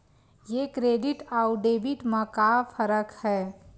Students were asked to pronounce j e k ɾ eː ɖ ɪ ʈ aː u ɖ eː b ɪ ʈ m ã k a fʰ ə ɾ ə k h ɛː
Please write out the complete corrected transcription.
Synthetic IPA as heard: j e k ɾ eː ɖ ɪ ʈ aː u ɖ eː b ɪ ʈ m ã k a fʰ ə ɾ ə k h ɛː

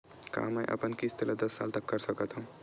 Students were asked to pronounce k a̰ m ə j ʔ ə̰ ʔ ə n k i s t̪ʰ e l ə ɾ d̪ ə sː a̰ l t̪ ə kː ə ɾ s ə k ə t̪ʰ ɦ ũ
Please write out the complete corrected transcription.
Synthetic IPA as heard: k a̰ m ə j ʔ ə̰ p ə n k i s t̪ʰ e l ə d̪ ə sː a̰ l t̪ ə kː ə ɾ s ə k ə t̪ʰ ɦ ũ

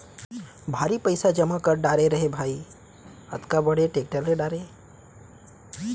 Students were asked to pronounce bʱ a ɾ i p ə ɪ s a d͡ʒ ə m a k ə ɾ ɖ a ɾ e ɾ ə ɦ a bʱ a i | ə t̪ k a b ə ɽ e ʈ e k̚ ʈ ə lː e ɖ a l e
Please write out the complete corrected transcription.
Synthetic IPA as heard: bʱ a ɾ i p ə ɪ s a d͡ʒ ə m a k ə ɾ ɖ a ɾ e ɾ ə ɦ e bʱ a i | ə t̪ k a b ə ɽ e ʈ e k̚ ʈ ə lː e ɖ a ɾ e

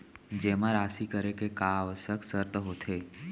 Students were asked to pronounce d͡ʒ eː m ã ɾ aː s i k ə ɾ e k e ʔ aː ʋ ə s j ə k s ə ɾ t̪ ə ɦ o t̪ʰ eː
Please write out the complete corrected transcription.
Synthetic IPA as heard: d͡ʒ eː m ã ɾ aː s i k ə ɾ e k e k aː ʋ ə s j ə k s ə ɾ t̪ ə ɦ o t̪ʰ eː

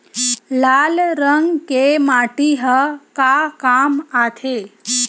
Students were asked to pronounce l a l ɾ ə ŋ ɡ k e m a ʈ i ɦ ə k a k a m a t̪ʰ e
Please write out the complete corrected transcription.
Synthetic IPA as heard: l a l ɾ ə ŋ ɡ k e m a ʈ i ɦ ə k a k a m a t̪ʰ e

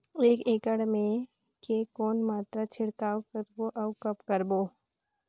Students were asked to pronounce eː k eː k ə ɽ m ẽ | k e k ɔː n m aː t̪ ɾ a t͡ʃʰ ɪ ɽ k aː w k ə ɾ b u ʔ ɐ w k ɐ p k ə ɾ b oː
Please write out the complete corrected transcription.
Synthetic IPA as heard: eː k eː k ə ɽ m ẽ | k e k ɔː n m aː t̪ ɾ a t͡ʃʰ ɪ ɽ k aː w k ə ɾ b o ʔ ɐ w k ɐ p k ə ɾ b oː

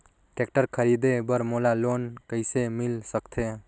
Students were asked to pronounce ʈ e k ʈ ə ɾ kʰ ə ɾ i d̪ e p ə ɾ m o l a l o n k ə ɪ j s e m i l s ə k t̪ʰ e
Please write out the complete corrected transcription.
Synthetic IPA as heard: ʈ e k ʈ ə ɾ kʰ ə ɾ i d̪ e b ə ɾ m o l a l o n k ə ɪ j s e m i l s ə k t̪ʰ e

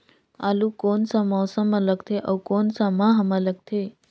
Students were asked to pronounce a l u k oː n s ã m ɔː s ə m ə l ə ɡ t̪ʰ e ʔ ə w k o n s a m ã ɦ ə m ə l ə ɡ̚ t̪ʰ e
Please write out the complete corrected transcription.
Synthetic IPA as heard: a l u k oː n s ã m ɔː s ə m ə l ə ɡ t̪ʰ e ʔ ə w k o n s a m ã ɦ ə m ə l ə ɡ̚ t̪ʰ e

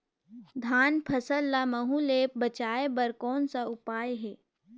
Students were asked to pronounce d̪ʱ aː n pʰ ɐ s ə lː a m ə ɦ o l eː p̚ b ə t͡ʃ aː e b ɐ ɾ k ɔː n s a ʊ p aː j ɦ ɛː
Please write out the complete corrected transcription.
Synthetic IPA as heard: d̪ʱ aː n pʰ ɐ s ə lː a m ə ɦ u l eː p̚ b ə t͡ʃ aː e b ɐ ɾ k ɔː n s a ʊ p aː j ɦ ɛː

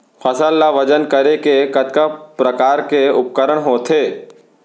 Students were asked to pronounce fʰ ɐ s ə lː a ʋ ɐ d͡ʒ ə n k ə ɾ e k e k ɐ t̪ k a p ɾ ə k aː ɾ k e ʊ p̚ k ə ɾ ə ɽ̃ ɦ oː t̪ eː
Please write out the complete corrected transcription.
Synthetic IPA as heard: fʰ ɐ s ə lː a ʋ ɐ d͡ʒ ə n k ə ɾ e k e k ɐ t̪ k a p ɾ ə k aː ɾ k e ʊ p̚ k ə ɾ ə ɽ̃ ɦ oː t̪ʰ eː

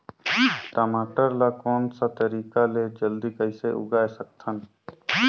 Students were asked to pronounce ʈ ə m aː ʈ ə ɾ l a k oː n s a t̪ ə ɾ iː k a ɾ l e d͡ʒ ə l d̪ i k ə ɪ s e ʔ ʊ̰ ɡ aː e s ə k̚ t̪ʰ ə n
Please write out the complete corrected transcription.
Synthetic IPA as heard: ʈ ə m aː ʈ ə ɾ l a k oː n s a t̪ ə ɾ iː k a l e d͡ʒ ə l d̪ i k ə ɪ s e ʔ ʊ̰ ɡ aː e s ə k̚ t̪ʰ ə n

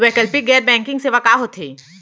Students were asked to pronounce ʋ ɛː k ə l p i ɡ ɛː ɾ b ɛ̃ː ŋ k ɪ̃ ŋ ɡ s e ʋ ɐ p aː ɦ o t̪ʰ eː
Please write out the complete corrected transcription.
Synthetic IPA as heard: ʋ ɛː k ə l p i ɡ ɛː ɾ b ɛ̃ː ŋ k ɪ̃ ŋ ɡ s e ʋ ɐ k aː ɦ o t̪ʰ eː

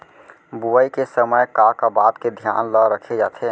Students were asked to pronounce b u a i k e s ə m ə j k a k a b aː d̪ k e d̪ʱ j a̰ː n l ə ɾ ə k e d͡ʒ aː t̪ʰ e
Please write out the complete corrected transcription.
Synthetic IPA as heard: b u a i k e s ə m ə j k a k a b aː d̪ k e d̪ʱ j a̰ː n l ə ɾ ə kʰ e d͡ʒ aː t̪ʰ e

